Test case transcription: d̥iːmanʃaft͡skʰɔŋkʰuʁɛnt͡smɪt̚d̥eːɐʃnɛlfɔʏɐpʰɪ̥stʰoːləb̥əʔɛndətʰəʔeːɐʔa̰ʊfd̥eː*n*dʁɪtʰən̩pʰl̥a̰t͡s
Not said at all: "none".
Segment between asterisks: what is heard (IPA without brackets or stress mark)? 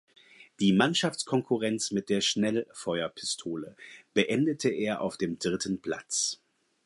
m